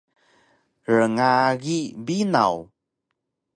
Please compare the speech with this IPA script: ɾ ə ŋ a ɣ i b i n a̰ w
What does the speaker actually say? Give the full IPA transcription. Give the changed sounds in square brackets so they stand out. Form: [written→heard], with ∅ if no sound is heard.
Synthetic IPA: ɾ ə ŋ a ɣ i b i n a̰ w